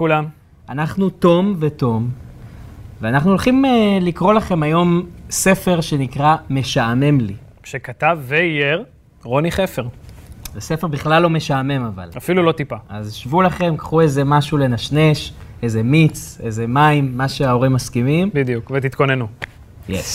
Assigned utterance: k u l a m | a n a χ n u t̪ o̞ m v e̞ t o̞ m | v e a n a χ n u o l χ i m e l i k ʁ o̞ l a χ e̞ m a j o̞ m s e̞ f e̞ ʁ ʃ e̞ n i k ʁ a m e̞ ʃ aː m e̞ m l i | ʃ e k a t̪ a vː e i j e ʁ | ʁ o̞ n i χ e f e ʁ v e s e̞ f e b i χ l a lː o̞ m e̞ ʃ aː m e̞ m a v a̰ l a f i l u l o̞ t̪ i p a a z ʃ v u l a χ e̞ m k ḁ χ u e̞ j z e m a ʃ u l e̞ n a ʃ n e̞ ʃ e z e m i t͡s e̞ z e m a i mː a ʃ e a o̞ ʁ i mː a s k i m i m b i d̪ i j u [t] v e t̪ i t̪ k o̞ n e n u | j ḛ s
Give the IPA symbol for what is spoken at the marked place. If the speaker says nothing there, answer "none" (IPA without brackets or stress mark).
k